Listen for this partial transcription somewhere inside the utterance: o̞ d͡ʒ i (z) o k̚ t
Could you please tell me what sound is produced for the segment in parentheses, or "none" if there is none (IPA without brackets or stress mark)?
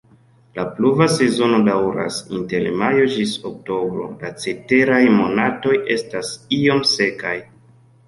s